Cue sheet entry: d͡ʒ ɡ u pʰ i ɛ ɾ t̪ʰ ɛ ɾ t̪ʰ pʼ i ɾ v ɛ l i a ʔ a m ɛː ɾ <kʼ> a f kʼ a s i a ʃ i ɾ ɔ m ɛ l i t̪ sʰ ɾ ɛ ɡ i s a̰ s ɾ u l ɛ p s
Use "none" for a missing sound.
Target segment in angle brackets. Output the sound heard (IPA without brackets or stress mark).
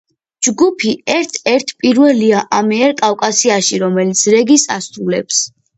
kʼ